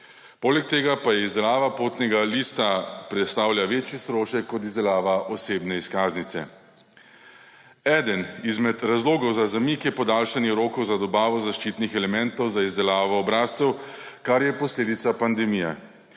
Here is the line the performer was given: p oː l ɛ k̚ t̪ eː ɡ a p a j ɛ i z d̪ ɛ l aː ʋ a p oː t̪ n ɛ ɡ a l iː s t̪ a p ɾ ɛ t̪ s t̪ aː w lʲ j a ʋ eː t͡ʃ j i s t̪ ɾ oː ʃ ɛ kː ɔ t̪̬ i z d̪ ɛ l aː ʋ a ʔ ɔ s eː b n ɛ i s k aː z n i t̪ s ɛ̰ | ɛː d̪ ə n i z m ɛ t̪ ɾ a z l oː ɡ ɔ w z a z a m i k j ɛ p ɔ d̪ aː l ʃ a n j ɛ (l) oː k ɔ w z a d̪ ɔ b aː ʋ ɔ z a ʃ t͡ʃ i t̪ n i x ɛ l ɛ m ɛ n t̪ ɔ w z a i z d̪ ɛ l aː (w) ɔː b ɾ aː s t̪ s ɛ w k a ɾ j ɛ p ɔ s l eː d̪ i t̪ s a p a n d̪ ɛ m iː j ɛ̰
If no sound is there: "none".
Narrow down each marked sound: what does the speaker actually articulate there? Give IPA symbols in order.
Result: ɾ, ʋ

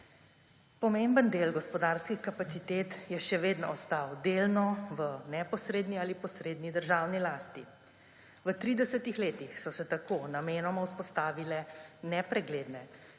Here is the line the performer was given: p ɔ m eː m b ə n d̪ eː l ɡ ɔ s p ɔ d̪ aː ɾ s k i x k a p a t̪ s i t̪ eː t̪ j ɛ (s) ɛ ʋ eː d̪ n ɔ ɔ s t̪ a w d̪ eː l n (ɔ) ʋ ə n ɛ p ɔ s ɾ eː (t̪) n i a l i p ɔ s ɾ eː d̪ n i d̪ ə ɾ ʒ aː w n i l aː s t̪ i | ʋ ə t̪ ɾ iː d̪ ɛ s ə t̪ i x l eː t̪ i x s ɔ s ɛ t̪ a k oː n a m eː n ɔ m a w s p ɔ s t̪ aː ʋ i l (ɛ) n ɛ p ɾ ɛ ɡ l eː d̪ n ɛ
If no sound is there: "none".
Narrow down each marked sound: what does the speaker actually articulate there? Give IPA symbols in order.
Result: ʃ, ɔ, d̪, ɛ

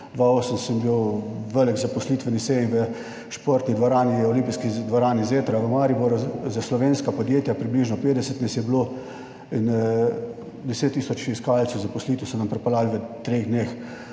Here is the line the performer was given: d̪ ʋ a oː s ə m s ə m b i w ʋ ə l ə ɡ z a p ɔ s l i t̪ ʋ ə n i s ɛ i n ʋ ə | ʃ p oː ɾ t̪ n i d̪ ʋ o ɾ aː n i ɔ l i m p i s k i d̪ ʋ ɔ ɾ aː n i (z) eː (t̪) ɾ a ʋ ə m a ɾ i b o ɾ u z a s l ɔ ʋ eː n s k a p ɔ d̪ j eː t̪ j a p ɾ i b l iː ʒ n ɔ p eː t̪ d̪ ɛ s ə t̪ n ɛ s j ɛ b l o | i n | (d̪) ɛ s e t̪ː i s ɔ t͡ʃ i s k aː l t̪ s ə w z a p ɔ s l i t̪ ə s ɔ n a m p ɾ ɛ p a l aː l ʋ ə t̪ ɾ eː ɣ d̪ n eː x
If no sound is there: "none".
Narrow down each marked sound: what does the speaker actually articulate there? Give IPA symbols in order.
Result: z, t̪, d̪

